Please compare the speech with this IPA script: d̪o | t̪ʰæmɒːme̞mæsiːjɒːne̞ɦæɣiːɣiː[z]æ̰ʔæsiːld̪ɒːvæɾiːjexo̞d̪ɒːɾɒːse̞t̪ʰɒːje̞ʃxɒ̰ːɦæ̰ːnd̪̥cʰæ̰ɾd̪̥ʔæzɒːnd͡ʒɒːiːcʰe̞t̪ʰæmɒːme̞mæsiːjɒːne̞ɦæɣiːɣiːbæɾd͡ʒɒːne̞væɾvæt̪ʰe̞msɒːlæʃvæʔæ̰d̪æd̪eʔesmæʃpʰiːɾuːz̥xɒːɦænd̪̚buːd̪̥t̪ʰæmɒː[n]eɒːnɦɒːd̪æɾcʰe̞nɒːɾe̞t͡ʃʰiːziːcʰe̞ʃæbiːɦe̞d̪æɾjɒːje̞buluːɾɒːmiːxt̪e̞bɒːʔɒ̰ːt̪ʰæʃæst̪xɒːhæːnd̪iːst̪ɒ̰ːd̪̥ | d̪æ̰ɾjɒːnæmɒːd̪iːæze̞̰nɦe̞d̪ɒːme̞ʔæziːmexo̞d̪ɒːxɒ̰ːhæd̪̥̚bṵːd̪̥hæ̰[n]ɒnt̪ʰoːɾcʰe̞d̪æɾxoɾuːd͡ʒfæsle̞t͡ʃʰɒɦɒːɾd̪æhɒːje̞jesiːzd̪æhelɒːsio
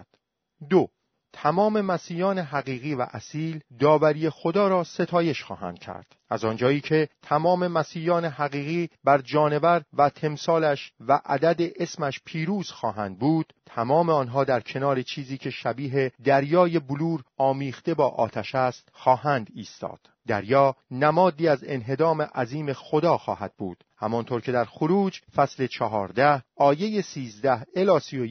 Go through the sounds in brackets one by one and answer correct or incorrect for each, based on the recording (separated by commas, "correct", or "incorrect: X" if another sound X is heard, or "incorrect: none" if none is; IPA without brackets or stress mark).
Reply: incorrect: v, incorrect: m, incorrect: m